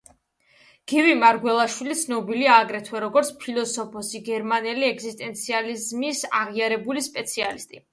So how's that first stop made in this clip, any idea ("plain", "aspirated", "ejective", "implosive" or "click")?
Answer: plain